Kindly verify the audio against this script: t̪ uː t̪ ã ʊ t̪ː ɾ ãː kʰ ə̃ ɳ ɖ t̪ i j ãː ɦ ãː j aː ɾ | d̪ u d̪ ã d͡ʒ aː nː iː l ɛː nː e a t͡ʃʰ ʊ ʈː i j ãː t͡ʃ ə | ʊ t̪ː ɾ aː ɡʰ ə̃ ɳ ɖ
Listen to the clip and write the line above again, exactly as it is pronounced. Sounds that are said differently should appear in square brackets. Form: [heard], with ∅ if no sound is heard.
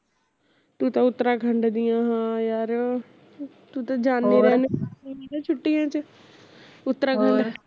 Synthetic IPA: t̪ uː t̪ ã ʊ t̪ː ɾ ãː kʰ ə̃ ɳ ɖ [d̪] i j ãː ɦ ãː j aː ɾ | [t̪] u [t̪] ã d͡ʒ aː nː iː [ɾ] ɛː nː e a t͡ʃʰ ʊ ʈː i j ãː t͡ʃ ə | ʊ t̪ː ɾ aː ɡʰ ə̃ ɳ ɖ

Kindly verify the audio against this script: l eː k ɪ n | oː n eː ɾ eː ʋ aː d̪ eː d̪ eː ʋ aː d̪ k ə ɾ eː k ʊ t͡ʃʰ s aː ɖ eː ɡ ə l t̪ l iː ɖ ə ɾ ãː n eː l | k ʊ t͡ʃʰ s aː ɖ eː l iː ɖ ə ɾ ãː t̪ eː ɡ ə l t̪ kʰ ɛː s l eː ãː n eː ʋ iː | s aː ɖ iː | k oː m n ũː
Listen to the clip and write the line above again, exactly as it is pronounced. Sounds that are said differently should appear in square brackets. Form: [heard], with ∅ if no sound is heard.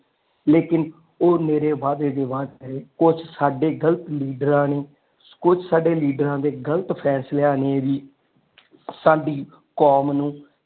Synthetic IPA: l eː k ɪ n | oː n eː ɾ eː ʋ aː d̪ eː d̪ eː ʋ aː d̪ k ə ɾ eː k ʊ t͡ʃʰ s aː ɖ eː ɡ ə l t̪ l iː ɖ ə ɾ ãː n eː [∅] | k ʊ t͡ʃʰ s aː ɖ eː l iː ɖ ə ɾ ãː [d̪] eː ɡ ə l t̪ [pʰ] ɛː s l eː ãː n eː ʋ iː | s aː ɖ iː | k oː m n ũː

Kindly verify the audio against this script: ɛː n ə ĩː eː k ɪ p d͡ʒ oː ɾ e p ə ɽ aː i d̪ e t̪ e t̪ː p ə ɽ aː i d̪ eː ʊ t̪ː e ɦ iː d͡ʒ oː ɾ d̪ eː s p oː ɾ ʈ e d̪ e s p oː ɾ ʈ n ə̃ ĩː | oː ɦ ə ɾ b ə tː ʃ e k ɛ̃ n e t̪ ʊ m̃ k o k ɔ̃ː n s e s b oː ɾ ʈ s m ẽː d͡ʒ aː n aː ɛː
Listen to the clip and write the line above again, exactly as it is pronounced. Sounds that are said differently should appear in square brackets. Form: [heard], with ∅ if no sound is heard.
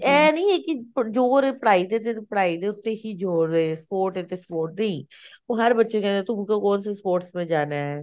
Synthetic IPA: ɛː n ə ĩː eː k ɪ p d͡ʒ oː ɾ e p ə ɽ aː i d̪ e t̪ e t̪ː p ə ɽ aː i d̪ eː ʊ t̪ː e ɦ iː d͡ʒ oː ɾ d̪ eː s p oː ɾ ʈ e [t̪] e s p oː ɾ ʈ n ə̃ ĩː | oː ɦ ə ɾ b ə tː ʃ e k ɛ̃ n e t̪ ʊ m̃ k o k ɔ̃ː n s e s [p] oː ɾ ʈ s m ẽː d͡ʒ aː n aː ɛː

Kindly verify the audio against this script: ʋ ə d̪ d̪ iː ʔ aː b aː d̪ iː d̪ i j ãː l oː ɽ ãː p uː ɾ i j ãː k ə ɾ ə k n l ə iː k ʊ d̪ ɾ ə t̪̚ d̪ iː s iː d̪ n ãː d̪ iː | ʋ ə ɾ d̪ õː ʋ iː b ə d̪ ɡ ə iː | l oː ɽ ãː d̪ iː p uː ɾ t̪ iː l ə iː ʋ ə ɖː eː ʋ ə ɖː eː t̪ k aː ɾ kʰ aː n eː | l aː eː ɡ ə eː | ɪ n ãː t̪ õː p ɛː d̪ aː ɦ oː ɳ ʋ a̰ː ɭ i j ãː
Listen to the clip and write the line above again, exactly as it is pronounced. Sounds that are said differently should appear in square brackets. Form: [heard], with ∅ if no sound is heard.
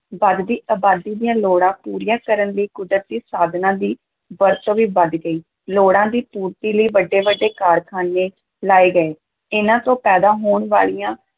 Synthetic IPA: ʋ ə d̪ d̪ iː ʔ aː b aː d̪ iː d̪ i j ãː l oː ɽ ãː p uː ɾ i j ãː k ə ɾ ə [∅] n l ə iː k ʊ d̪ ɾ ə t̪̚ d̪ iː s [aː] d̪ n ãː d̪ iː | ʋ ə ɾ [t̪] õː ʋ iː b ə d̪ ɡ ə iː | l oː ɽ ãː d̪ iː p uː ɾ t̪ iː l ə iː ʋ ə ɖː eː ʋ ə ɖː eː [∅] k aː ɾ kʰ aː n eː | l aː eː ɡ ə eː | ɪ n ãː t̪ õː p ɛː d̪ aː ɦ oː ɳ ʋ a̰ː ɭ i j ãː

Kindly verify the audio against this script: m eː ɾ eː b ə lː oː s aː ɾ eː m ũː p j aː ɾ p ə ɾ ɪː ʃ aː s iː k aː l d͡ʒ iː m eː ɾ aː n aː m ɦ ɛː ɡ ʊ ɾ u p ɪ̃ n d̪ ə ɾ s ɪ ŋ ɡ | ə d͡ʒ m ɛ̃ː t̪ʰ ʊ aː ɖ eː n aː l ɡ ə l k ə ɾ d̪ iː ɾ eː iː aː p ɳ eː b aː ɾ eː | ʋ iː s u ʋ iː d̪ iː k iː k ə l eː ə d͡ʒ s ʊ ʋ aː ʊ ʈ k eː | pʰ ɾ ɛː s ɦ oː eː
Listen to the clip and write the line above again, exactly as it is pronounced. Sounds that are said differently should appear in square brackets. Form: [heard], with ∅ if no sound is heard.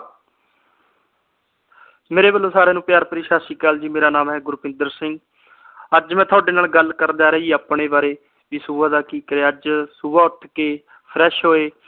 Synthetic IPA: m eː ɾ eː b ə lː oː s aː ɾ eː [n] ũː p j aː ɾ p ə ɾ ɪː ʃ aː s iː k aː l d͡ʒ iː m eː ɾ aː n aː m ɦ ɛː ɡ ʊ ɾ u p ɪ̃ n d̪ ə ɾ s ɪ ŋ ɡ | ə d͡ʒ m ɛ̃ː t̪ʰ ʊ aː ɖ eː n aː l ɡ ə l k ə ɾ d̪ [aː] ɾ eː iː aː p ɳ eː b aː ɾ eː | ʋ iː s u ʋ [aː] d̪ [aː] k iː k ə [ɾ] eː ə d͡ʒ s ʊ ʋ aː ʊ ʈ k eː | pʰ ɾ ɛː [ʃ] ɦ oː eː

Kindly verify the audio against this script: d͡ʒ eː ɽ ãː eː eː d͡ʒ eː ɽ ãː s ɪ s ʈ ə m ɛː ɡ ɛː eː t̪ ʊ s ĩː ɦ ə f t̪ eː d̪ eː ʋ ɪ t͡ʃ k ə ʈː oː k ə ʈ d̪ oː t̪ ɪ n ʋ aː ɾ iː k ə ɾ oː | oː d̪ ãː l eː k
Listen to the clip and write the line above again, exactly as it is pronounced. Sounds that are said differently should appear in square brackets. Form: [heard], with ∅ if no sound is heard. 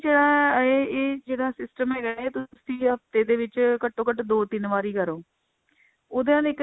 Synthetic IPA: d͡ʒ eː ɽ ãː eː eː d͡ʒ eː ɽ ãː s ɪ s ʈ ə m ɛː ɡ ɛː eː t̪ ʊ s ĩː ɦ ə f t̪ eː d̪ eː ʋ ɪ t͡ʃ k ə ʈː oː k ə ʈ d̪ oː t̪ ɪ n ʋ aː ɾ iː k ə ɾ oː | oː d̪ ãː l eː k

